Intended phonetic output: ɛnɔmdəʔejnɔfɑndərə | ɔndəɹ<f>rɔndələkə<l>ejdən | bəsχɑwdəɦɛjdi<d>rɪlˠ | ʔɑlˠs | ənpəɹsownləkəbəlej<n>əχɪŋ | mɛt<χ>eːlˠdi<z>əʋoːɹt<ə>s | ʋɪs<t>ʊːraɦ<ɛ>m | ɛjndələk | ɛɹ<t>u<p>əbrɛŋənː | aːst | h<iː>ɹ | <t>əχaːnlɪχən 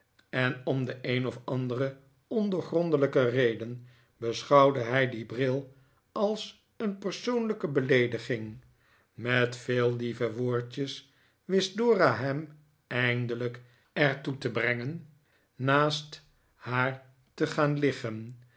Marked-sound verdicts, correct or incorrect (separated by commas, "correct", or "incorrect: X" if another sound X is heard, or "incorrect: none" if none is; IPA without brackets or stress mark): incorrect: χ, incorrect: r, incorrect: b, incorrect: d, incorrect: f, incorrect: v, correct, incorrect: d, correct, correct, incorrect: t, incorrect: aː, correct